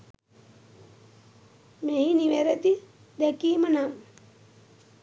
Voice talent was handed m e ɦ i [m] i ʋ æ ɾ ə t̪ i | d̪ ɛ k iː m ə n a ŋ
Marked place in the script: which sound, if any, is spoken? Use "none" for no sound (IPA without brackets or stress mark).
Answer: n